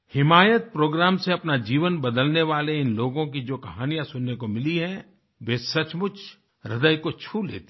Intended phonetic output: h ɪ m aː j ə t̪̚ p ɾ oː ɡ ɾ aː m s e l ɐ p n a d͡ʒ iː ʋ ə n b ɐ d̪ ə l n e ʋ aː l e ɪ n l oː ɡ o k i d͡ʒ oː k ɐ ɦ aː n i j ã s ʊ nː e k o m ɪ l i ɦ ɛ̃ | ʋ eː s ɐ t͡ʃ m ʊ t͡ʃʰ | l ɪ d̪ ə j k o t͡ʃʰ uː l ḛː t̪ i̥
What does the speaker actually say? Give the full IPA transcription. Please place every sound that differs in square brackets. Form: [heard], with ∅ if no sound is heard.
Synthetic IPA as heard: h ɪ m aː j ə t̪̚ p ɾ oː ɡ ɾ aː m s e [∅] ɐ p n a d͡ʒ iː ʋ ə n b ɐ d̪ ə l n e ʋ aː l e ɪ n l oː ɡ [õ] k i d͡ʒ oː k ɐ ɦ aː n i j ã s ʊ nː e k o m ɪ l i ɦ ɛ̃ | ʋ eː s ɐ t͡ʃ m ʊ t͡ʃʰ | [ɾ] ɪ d̪ ə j k o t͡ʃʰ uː l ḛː t̪ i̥